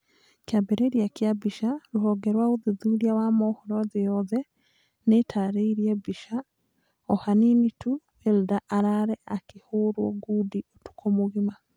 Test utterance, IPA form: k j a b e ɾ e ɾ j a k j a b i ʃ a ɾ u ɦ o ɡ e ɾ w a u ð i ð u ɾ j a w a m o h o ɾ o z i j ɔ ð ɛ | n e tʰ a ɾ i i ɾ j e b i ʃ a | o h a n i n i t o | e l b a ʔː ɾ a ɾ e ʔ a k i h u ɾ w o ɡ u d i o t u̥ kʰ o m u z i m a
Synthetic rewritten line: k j a b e ɾ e ɾ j a k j a b i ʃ a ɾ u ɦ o ɡ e ɾ w a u ð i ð u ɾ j a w a m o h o ɾ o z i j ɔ ð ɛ | n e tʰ a ɾ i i ɾ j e b i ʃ a | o h a n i n i t u | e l d a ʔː ɾ a ɾ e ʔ a k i h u ɾ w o ɡ u d i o t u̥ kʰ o m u ɣ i m a

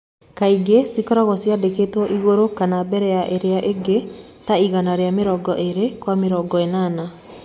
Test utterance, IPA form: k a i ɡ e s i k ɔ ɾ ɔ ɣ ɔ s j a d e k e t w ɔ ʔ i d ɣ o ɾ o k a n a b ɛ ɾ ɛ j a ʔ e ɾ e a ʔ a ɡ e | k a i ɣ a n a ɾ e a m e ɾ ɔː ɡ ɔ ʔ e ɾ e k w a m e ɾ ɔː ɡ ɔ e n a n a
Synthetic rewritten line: k a i ɡ e s i k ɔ ɾ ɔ ɣ ɔ s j a d e k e t w ɔ ʔ i ɣ o ɾ o k a n a b ɛ ɾ ɛ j a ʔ e ɾ e a ʔ e ɡ e | t a i ɣ a n a ɾ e a m e ɾ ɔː ɡ ɔ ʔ e ɾ e k w a m e ɾ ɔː ɡ ɔ e n a n a

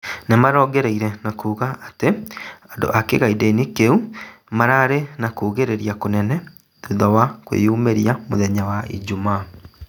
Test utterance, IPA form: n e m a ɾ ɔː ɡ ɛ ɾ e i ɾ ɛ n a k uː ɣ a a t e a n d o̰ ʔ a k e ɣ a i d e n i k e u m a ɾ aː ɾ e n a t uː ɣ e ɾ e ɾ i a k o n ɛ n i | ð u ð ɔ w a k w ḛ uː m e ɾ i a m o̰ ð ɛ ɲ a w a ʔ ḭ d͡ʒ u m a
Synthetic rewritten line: n e m a ɾ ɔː ɡ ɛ ɾ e i ɾ ɛ n a k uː ɣ a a t e a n d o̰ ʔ a k e ɣ a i d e n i k e u m a ɾ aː ɾ e n a k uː ɣ e ɾ e ɾ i a k o n ɛ n ɛ | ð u ð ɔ w a k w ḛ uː m e ɾ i a m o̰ ð ɛ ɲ a w a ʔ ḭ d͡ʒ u m a

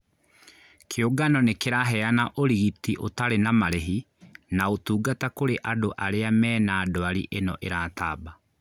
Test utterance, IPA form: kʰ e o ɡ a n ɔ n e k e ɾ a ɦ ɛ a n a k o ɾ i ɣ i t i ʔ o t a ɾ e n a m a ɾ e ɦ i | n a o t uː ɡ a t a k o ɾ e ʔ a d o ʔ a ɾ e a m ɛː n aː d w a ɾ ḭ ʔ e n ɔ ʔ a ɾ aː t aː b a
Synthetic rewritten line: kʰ e o ɡ a n ɔ n e k e ɾ a ɦ ɛ a n a ʔ o ɾ i ɣ i t i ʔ o t a ɾ e n a m a ɾ e ɦ i | n a o t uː ɡ a t a k o ɾ e ʔ a d o ʔ a ɾ e a m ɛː n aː d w a ɾ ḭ ʔ e n ɔ ʔ e ɾ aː t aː b a

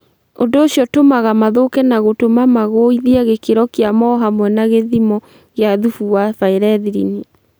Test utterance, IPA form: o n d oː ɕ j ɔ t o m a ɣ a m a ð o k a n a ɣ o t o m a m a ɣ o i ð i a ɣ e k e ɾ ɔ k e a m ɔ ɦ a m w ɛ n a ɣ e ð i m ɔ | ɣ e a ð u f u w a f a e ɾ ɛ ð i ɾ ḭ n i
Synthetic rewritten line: o n d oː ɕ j ɔ t o m a ɣ a m a ð o k ɛ n a ɣ o t o m a m a ɣ o i ð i a ɣ e k e ɾ ɔ k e a m ɔ ɦ a m w ɛ n a ɣ e ð i m ɔ | ɣ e a ð u f u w a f a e ɾ ɛ ð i ɾ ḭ n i

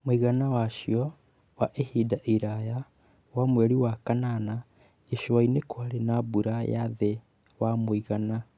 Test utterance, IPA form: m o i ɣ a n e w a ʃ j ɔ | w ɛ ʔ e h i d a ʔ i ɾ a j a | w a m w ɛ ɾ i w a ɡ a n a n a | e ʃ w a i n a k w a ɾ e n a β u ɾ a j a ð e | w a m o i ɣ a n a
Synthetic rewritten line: m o i ɣ a n a w a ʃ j ɔ | w a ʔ e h i d a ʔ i ɾ a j a | w a m w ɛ ɾ i w a k a n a n a | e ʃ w a i n e k w a ɾ e n a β u ɾ a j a ð e | w a m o i ɣ a n a

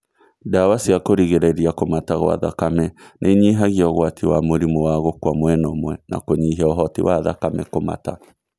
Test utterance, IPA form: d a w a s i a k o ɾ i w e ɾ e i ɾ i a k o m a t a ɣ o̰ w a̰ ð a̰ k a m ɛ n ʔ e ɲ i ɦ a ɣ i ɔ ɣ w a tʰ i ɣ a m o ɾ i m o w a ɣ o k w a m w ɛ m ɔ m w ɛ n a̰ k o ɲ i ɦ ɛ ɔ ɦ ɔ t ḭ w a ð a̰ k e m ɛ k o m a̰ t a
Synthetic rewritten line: d a w a s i a k o ɾ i ɣ e ɾ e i ɾ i a k o m a t a ɣ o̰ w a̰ ð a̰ k a m ɛ n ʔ e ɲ i ɦ a ɣ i ɔ ɣ w a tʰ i w a m o ɾ i m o w a ɣ o k w a m w ɛ n ɔ m w ɛ n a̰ k o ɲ i ɦ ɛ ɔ ɦ ɔ t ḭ w a ð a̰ k a m ɛ k o m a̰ t a

